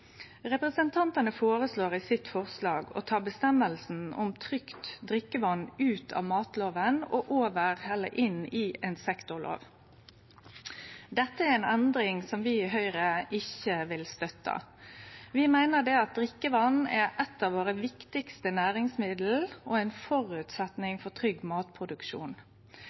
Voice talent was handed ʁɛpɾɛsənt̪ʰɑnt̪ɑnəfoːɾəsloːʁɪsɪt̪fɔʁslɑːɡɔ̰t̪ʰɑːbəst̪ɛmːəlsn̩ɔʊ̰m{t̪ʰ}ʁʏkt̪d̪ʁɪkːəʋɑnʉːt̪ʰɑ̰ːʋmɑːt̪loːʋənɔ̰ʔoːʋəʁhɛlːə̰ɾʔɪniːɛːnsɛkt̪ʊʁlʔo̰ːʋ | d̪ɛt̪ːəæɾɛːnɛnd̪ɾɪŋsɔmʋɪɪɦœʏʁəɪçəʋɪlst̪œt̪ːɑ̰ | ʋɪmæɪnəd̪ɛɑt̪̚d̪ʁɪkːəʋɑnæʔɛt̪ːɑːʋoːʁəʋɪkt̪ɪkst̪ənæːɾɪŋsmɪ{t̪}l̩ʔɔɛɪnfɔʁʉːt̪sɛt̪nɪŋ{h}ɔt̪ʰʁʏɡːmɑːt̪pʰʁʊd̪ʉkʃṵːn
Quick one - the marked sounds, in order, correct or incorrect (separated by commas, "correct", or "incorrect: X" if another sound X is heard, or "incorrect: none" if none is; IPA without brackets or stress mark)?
correct, incorrect: d̪, incorrect: f